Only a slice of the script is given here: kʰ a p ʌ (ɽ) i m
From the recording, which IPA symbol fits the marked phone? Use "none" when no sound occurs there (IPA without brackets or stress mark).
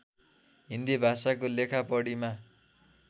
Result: ɽ